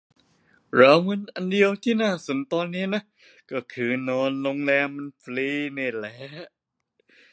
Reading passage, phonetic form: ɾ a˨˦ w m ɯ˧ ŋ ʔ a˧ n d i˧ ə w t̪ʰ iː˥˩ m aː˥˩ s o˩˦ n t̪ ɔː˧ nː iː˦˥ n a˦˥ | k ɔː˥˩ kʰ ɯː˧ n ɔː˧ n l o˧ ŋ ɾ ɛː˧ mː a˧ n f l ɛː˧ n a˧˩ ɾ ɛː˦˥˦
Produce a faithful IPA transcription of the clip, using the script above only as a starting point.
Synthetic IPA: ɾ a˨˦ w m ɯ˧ n ʔ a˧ n d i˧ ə w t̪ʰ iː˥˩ n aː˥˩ s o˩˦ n t̪ ɔː˧ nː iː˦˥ n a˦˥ | k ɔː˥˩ kʰ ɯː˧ n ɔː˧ n l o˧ ŋ l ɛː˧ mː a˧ n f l iː˧ n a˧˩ l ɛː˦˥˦

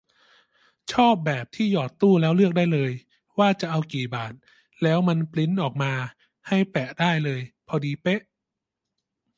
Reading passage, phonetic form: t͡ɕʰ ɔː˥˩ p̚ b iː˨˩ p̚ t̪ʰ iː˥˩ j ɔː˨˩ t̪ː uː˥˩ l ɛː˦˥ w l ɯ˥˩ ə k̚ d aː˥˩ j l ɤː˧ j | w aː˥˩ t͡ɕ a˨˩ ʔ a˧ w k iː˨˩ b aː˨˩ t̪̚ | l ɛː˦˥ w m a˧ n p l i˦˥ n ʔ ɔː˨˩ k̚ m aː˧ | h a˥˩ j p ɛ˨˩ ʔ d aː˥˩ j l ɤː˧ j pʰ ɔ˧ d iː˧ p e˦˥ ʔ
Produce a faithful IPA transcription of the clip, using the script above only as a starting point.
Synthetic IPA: t͡ɕʰ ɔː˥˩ p̚ b ɛː˨˩ p̚ t̪ʰ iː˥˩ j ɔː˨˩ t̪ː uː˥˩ l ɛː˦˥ w l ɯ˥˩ ə k̚ d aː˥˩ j l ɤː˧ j | w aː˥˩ t͡ɕ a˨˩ ʔ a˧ w k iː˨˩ b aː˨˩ t̪̚ | l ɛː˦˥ w m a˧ n p l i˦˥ n ʔ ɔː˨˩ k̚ m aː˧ | h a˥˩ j p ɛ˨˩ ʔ d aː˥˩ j l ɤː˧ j pʰ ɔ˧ d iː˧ p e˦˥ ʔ

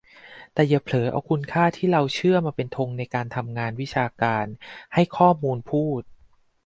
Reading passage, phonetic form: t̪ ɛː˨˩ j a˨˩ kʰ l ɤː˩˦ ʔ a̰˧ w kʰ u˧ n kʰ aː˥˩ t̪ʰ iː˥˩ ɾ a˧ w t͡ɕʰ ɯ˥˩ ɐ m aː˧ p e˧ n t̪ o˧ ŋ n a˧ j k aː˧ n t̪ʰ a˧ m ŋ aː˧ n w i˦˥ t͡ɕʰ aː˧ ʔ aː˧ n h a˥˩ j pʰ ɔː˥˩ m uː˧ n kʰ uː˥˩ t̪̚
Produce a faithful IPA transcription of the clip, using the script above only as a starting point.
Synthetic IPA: t̪ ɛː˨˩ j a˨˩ pʰ l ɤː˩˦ ʔ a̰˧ w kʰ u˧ n kʰ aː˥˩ t̪ʰ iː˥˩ ɾ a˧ w t͡ɕʰ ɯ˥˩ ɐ m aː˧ p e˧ n t̪ʰ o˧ ŋ n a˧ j k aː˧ n t̪ʰ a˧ m ŋ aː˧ n w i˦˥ t͡ɕʰ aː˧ k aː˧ n h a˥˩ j kʰ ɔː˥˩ m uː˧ n pʰ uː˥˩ t̪̚

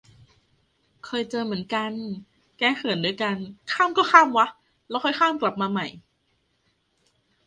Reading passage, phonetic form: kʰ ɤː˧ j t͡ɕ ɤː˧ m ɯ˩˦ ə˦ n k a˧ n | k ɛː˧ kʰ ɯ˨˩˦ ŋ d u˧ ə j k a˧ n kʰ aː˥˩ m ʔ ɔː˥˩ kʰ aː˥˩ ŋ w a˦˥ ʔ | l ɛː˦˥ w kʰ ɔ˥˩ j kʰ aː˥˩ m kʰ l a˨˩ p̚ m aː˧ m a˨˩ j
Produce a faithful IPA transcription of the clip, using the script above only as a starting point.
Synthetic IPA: kʰ ɤː˧ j t͡ɕ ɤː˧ m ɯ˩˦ ə˦ n k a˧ n | k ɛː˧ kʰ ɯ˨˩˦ n d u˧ ə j k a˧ n kʰ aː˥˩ m k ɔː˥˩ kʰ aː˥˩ m w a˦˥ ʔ | l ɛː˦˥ w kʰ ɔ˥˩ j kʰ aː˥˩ m k l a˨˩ p̚ m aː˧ m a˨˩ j

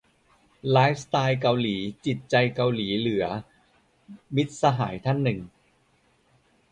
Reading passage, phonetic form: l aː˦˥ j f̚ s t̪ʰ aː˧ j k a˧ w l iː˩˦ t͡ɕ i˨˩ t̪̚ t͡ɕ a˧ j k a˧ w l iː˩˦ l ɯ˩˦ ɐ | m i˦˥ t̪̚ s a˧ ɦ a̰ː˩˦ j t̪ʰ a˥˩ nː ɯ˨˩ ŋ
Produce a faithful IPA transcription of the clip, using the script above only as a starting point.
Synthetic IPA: l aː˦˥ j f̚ s t̪ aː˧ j k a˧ w l iː˩˦ t͡ɕ i˨˩ t̪̚ t͡ɕ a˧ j k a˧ w l iː˩˦ l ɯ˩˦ ɐ | m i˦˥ t̪̚ s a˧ ɦ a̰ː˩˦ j t̪ʰ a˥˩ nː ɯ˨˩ ŋ

